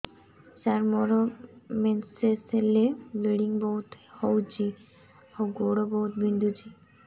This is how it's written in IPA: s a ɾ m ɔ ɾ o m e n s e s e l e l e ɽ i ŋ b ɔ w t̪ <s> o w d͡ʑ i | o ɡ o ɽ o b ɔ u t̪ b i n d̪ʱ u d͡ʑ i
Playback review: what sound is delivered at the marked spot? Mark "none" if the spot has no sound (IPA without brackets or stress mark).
h